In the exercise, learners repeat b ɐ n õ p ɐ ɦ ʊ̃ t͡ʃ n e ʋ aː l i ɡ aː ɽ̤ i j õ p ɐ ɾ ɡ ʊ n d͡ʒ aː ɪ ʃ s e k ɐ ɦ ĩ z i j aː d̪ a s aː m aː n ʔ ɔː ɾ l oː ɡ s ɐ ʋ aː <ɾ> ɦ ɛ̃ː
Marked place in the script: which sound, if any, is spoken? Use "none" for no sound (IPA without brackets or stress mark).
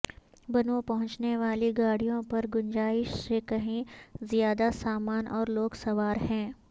ɾ